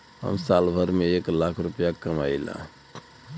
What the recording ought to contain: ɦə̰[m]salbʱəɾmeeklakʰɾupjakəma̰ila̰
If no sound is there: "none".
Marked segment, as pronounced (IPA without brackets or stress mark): m